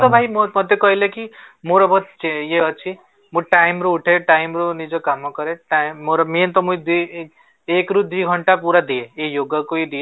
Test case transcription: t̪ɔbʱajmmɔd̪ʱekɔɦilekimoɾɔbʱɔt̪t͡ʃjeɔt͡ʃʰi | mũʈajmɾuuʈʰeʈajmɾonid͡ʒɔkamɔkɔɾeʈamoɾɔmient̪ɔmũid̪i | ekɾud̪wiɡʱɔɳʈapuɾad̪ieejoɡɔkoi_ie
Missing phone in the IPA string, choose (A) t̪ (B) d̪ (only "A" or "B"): B